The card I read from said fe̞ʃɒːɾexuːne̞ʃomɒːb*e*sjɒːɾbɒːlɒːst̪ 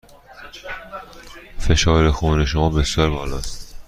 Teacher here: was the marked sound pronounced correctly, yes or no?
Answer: yes